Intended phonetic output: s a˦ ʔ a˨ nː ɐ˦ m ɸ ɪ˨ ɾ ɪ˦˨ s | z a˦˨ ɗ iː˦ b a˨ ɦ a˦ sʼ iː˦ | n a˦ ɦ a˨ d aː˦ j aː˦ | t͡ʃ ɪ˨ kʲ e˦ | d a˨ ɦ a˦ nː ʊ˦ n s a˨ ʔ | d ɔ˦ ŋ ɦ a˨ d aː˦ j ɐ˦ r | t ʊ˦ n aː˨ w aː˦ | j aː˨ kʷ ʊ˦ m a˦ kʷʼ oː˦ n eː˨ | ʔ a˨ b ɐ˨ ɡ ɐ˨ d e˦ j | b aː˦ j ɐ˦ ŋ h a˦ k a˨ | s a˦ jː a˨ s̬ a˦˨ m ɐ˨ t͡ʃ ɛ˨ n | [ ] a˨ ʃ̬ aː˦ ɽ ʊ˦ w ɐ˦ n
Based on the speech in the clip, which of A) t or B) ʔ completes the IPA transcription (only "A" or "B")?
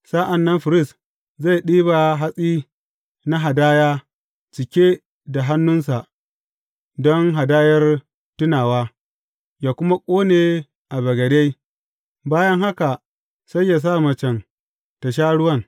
A